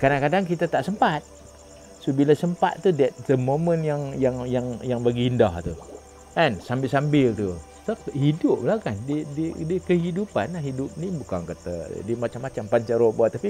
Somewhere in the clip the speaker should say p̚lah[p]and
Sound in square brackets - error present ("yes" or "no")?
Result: yes